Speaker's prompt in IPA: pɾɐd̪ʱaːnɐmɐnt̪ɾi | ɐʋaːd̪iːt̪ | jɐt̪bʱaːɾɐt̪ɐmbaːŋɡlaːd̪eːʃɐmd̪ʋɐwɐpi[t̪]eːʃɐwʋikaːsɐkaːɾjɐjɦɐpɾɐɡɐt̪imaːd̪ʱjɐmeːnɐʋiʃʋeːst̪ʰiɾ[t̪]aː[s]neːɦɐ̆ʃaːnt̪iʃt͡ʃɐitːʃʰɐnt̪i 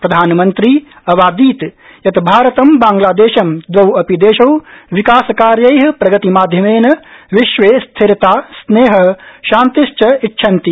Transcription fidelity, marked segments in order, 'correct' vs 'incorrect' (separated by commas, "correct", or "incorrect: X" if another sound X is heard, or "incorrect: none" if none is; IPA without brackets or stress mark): incorrect: d̪, correct, correct